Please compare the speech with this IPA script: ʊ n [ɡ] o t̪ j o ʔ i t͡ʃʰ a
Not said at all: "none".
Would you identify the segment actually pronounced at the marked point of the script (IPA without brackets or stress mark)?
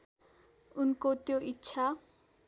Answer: k